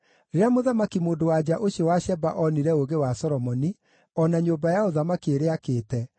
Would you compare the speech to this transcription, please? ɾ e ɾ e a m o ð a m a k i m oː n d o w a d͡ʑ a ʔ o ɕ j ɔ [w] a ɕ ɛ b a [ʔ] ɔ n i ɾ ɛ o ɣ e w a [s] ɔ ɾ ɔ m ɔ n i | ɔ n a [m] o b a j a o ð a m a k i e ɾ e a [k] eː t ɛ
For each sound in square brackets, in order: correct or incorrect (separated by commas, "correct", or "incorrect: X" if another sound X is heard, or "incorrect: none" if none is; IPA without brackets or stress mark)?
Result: correct, correct, correct, incorrect: ɲ, correct